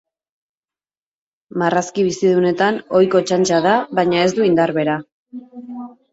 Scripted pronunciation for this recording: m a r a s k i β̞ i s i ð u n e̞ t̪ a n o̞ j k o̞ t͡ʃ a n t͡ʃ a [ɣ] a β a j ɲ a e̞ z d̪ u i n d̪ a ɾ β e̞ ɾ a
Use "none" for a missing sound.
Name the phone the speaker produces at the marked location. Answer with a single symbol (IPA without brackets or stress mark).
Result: ð